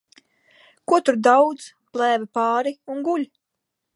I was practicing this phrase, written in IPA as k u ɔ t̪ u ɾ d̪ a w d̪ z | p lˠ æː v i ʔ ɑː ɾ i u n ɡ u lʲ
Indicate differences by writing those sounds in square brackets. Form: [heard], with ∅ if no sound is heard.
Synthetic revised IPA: k u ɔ t̪ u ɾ d̪ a w d̪ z | p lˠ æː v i [p] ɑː ɾ i u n ɡ u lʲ